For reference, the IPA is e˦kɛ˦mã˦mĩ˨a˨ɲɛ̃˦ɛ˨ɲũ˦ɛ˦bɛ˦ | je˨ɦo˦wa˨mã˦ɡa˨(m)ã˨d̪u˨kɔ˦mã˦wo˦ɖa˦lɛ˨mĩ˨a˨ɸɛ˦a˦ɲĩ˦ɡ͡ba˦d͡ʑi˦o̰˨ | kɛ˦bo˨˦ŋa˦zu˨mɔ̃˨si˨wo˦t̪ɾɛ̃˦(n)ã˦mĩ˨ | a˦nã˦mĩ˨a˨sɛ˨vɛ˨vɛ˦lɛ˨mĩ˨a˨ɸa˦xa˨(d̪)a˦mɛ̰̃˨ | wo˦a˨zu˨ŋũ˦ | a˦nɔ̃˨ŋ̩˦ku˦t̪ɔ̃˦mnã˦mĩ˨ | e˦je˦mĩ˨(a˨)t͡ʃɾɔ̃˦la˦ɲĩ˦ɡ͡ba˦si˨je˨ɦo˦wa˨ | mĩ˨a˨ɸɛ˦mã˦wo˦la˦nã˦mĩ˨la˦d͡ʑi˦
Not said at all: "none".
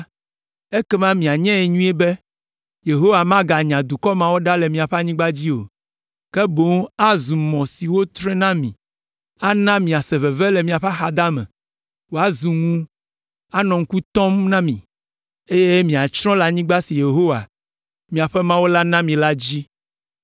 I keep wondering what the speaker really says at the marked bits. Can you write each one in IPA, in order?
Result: ɲ, n, d̪, a˨

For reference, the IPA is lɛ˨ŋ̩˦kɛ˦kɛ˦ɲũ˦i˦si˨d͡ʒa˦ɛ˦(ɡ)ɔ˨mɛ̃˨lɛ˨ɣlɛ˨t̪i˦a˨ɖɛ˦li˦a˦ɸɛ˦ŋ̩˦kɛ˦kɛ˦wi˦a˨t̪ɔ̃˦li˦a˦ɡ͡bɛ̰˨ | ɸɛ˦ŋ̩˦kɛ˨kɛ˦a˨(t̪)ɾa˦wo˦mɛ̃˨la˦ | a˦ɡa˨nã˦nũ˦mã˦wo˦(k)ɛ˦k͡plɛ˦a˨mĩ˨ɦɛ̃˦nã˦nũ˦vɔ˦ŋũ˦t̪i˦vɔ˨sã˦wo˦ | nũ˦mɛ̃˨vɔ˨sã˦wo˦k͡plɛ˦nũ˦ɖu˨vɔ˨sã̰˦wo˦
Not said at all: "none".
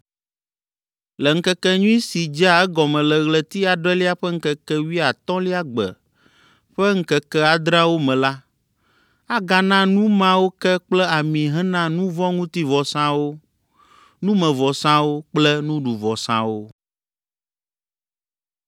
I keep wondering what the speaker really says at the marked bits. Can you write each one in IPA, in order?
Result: ɡ, d̪, k

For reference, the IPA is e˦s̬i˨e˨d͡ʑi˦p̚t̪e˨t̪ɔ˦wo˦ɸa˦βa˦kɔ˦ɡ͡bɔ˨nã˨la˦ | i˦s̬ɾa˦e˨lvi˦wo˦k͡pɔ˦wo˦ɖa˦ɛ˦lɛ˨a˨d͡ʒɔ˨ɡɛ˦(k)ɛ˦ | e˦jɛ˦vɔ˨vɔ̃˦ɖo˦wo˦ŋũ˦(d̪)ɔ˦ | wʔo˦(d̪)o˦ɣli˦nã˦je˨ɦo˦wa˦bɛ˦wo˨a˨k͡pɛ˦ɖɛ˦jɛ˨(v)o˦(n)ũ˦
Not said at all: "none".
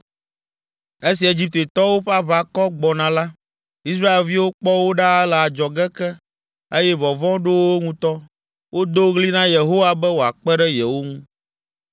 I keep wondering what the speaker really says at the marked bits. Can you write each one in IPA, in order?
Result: k, t̪, d̪, w, ŋ

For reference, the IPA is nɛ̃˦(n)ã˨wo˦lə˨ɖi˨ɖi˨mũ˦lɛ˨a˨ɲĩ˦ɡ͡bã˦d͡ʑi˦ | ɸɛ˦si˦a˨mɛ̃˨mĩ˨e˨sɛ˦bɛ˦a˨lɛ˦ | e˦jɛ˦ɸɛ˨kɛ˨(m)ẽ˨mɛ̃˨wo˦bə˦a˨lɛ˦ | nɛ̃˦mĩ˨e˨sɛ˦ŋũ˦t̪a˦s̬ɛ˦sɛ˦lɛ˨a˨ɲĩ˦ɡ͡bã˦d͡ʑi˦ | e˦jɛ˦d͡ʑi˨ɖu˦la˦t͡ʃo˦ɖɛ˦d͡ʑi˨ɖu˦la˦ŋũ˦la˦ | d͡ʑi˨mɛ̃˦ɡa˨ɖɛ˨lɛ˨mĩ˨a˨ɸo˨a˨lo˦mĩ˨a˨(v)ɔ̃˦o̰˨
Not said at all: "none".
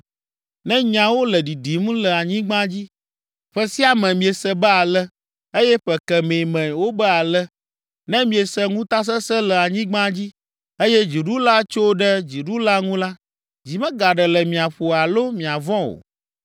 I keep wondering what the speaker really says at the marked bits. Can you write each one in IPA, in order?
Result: ɲ, m, v

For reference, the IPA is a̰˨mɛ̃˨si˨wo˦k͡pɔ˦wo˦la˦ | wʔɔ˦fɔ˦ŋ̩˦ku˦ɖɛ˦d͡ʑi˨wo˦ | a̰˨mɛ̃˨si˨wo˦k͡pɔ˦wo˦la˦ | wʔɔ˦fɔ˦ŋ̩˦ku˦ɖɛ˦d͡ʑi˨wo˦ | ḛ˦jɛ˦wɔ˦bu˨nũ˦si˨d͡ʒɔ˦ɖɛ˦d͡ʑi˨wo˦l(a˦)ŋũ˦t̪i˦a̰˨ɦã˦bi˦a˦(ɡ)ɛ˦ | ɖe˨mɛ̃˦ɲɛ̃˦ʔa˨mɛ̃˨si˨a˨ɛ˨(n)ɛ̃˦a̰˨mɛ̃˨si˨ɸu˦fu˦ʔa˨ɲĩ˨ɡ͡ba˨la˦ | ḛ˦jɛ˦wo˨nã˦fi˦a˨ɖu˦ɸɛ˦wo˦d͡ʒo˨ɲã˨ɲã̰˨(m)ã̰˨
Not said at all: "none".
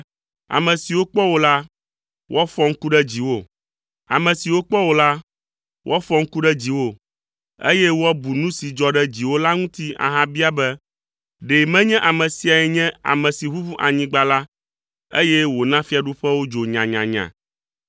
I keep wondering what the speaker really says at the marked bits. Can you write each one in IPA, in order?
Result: a˦, b, ɲ, ɲ

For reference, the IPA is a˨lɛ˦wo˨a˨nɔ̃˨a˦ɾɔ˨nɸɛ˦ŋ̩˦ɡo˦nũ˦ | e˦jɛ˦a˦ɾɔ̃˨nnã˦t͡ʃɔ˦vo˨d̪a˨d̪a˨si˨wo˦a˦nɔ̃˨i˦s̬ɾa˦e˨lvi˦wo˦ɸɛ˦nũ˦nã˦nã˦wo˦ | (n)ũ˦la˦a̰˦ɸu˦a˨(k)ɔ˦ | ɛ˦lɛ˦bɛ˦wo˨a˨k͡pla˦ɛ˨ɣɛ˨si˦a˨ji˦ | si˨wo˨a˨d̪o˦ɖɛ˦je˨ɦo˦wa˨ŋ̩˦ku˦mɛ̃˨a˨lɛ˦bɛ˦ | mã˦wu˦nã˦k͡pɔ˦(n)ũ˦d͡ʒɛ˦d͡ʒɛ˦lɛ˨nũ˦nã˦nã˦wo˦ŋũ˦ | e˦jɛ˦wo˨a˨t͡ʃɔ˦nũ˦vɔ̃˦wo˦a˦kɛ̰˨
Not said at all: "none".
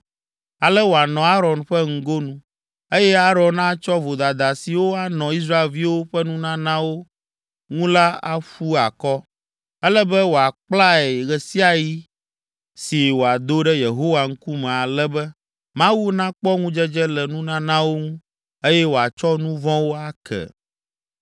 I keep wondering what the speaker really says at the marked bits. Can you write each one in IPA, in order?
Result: ŋ, k, ŋ

